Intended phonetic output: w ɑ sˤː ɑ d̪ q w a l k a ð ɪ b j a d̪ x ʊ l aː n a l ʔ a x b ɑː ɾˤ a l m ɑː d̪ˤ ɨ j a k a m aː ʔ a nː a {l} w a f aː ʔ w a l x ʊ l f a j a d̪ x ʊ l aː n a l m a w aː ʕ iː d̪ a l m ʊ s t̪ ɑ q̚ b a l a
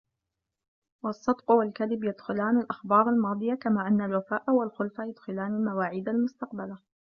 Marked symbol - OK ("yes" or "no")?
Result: yes